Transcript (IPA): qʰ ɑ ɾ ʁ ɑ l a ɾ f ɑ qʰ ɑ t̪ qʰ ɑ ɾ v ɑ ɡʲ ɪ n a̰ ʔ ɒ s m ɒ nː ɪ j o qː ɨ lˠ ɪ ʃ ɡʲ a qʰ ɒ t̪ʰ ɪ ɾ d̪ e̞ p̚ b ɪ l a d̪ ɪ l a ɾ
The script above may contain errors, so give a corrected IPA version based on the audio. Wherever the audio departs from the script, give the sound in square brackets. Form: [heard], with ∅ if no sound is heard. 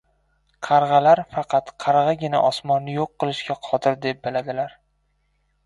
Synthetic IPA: qʰ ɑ ɾ ʁ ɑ l a ɾ f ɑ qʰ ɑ t̪ qʰ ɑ ɾ [ʁ] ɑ ɡʲ ɪ n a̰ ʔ ɒ s m ɒ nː ɪ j o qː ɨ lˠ ɪ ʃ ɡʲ a qʰ ɒ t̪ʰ ɪ ɾ d̪ e̞ p̚ b ɪ l a d̪ ɪ l a ɾ